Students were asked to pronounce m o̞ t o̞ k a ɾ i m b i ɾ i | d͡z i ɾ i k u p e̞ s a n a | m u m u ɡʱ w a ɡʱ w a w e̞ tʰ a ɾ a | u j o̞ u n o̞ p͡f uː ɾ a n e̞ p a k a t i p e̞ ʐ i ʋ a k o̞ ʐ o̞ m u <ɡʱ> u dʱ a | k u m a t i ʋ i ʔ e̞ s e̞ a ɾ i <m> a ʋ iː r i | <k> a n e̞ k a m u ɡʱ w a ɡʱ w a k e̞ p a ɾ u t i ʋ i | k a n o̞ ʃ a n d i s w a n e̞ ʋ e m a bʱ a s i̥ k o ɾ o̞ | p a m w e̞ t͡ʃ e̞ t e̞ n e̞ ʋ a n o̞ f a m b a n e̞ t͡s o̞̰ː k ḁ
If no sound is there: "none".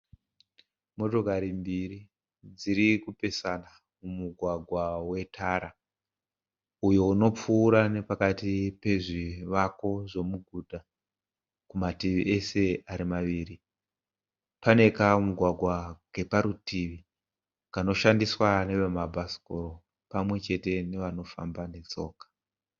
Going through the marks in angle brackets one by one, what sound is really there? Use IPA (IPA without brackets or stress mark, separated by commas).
ɡʱ, m, p